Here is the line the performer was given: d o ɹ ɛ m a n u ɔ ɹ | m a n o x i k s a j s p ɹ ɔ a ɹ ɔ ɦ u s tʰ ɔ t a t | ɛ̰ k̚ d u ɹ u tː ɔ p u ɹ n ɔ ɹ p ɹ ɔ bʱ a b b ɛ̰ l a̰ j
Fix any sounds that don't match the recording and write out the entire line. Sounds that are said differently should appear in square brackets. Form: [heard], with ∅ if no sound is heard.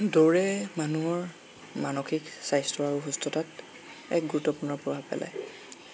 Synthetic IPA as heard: d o ɹ ɛ m a n u ɔ ɹ | m a n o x i k s a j s [t] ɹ ɔ a ɹ [u] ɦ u s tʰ ɔ t a t | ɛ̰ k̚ [ɡ] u ɹ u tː ɔ p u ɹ n ɔ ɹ p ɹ ɔ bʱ a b [p] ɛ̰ l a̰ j